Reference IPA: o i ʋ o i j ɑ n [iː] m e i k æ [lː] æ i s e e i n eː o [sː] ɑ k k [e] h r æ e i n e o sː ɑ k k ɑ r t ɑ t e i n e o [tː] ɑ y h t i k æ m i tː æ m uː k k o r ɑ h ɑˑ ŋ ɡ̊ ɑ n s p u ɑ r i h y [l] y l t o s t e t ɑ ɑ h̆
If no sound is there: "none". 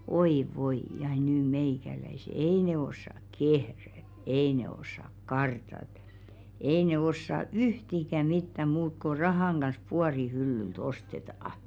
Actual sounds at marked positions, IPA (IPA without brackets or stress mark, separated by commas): yː, l, sː, e, sː, lː